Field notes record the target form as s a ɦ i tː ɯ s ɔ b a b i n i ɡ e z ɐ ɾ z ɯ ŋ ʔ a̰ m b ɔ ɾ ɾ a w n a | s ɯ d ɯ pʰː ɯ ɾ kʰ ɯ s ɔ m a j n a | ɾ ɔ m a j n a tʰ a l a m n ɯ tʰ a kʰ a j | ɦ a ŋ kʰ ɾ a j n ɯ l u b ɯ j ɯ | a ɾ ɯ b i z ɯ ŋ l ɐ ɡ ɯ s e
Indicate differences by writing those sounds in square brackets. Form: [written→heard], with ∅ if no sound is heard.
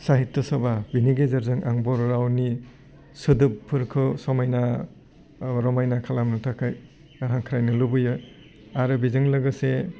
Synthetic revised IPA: s a ɦ i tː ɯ s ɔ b a b i n i ɡ e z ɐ ɾ z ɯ ŋ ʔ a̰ [m→ŋ] b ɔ ɾ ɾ a w n [a→i] | s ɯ d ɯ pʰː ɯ ɾ kʰ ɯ s ɔ m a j n a | ɾ ɔ m a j n a [tʰ→kʰ] a l a m n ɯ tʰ a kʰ a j | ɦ a ŋ kʰ ɾ a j n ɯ l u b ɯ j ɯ | a ɾ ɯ b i z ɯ ŋ l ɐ ɡ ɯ s e